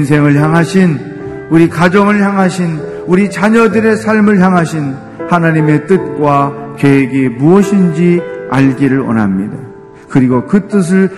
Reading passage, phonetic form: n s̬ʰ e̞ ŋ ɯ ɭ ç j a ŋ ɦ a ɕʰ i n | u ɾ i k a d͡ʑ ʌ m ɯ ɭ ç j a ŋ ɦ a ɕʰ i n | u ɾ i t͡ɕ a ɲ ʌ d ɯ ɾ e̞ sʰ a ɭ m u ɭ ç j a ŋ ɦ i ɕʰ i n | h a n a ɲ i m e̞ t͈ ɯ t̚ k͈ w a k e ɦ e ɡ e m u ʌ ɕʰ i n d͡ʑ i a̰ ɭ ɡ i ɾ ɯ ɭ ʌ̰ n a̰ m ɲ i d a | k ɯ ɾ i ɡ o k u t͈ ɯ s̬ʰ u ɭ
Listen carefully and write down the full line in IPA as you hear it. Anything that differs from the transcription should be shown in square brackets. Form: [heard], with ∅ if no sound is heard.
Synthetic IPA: n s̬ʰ e̞ ŋ ɯ ɭ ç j a ŋ ɦ a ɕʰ i n | u ɾ i k a d͡ʑ ʌ [ŋ] ɯ ɭ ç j a ŋ ɦ a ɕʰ i n | u ɾ i t͡ɕ a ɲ ʌ d ɯ ɾ e̞ sʰ a ɭ m [ɯ] ɭ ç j a ŋ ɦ [a] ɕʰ i n | h a n a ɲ i m e̞ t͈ ɯ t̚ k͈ w a k e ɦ e ɡ e m u ʌ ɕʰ i n d͡ʑ i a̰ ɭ ɡ i ɾ ɯ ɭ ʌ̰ n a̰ m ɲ i d a | k ɯ ɾ i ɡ o k [ɯ] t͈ ɯ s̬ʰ [ɯ] ɭ